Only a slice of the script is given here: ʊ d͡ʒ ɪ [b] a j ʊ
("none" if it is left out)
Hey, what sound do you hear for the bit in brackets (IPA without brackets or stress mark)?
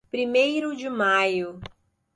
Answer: m